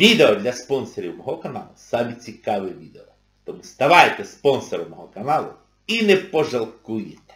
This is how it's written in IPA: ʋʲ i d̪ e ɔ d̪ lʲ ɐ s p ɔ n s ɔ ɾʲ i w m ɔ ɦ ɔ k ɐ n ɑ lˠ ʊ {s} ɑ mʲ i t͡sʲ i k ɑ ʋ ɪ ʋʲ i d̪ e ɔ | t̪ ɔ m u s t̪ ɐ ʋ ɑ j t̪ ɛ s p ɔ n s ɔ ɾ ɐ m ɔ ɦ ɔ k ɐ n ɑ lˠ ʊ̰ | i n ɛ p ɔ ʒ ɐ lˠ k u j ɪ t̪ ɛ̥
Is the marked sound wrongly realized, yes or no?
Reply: no